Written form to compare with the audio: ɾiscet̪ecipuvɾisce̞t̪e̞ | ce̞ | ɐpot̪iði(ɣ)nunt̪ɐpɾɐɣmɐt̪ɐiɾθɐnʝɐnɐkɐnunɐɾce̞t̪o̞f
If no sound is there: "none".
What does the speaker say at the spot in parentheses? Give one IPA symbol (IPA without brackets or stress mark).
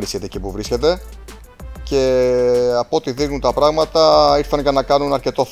ɣ